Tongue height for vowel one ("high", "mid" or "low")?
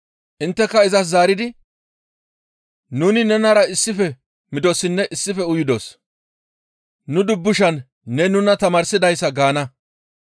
high